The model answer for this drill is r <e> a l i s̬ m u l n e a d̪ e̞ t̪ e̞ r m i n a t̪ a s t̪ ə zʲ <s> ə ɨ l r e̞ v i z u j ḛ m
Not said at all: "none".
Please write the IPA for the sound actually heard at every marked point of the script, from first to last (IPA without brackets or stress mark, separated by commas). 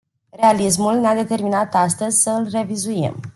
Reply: e, s